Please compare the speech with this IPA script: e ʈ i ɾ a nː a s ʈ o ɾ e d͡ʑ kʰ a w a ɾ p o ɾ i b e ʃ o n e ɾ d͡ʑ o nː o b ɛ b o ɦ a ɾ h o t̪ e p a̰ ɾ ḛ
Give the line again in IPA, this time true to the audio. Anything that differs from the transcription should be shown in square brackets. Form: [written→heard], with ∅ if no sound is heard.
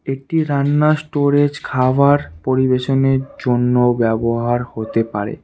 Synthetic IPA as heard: e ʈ i ɾ a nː a s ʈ o ɾ e d͡ʑ kʰ a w a ɾ p o ɾ i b e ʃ o n e ɾ d͡ʑ o nː o b ɛ b o ɦ a ɾ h o t̪ e p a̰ ɾ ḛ